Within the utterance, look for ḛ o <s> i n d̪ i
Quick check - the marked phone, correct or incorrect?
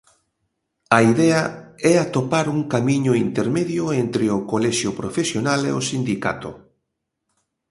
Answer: correct